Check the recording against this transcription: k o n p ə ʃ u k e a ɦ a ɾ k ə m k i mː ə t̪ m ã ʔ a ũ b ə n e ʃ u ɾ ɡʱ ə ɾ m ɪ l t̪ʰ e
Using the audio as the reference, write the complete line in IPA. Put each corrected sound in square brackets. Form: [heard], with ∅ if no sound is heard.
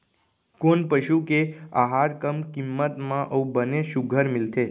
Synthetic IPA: k o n p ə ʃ u k e a ɦ a ɾ k ə m k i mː ə t̪ m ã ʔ [ə] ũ b ə n e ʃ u [∅] ɡʱ ə ɾ m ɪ l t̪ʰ e